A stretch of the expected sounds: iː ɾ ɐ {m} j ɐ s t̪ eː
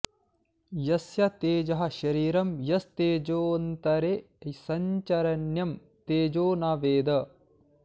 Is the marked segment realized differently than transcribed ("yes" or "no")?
no